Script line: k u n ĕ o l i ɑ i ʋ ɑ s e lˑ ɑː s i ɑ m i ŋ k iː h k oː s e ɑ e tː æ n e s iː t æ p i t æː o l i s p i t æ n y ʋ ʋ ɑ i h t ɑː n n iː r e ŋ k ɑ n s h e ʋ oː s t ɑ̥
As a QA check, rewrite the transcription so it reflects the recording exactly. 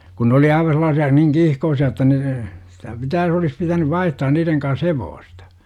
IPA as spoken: k u n ĕ o l i ɑ i ʋ ɑ s e lˑ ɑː s i ɑ n i ŋ k iː h k oː s i ɑ e tː æ n e s i t æ p i t æː o l i s p i t æ n y ʋ ʋ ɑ i h t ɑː n n iː r e ŋ k ɑ n s h e ʋ oː s t ɑ̥